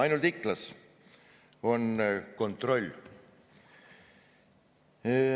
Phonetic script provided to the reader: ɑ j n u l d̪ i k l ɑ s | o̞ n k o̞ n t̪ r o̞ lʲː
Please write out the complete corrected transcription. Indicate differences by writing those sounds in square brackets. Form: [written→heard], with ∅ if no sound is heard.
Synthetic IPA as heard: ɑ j n u l [d̪→t̪] i k l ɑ s | o̞ n k o̞ n t̪ r o̞ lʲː